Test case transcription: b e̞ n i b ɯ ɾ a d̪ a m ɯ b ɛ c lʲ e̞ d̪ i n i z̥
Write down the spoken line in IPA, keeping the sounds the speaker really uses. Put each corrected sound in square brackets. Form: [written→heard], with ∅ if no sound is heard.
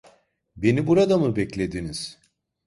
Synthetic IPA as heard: b e̞ n i b [ɯ→u] ɾ a d̪ a m ɯ b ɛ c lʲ e̞ d̪ i n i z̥